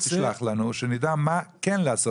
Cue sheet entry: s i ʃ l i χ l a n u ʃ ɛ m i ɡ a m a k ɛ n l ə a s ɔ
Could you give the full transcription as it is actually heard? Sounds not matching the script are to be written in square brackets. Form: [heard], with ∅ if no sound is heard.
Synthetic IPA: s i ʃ l [a] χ l a n u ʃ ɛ [n] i [d] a m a k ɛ n l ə a s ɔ